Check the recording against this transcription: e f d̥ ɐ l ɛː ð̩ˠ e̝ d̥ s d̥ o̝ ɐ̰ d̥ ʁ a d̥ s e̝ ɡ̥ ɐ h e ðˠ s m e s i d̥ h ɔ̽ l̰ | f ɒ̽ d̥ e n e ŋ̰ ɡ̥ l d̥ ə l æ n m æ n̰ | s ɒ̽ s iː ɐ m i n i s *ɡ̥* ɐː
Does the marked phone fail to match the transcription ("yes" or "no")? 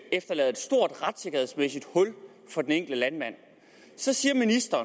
yes